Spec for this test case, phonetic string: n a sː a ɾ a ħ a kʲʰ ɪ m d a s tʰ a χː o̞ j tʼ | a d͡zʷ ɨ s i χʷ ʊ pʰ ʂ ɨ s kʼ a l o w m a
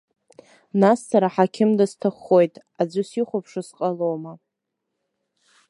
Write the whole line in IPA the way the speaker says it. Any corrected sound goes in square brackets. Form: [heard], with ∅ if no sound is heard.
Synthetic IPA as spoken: n a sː a ɾ a ħ a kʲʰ ɪ m d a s tʰ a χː o̞ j tʼ | a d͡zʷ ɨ s i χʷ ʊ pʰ ʂ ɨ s [qʼ] a l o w m a